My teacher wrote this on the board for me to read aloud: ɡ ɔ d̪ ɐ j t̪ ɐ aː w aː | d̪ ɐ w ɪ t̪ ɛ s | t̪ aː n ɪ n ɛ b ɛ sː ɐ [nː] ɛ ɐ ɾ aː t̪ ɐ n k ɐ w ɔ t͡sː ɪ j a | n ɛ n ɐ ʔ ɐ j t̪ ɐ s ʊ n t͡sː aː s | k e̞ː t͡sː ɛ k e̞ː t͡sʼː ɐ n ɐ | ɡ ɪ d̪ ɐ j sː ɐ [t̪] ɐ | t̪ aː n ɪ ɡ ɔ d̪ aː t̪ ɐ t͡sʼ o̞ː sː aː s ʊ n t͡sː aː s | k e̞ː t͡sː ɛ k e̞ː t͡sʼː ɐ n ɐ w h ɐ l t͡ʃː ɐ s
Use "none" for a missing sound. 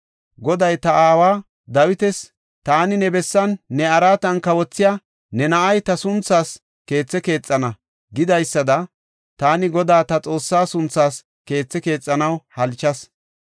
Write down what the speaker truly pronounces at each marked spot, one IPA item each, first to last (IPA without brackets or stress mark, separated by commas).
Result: nː, d̪